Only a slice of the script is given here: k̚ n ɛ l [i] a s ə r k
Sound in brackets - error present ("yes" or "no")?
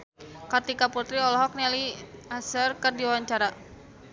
no